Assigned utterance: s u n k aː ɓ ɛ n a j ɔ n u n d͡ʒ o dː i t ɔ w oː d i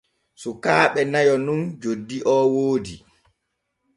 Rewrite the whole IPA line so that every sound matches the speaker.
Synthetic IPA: s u k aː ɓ ɛ n a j ɔ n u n d͡ʒ o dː i ʔ ɔ w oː d i